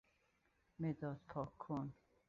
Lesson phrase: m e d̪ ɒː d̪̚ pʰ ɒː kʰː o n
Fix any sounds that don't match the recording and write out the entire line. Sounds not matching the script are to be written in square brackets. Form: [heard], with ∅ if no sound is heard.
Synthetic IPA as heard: m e d̪ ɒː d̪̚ pʰ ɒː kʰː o n